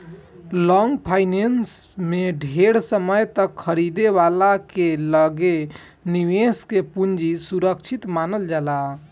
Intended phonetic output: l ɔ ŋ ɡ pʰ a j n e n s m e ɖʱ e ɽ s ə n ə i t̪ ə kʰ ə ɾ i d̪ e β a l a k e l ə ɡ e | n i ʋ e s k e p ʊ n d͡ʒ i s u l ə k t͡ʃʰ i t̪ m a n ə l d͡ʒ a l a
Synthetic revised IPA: l ɔ ŋ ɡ pʰ a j n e n s m e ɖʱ e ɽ s ə m ə j t̪ ə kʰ ə ɾ i d̪ e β a l a k e l ə ɡ e | n i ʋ e s k e p u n d͡ʒ i s u ɾ ə k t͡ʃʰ i t̪ m a n ə l d͡ʒ a l a